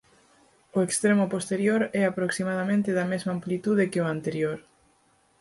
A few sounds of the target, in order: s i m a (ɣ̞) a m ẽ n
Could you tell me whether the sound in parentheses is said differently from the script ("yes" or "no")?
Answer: yes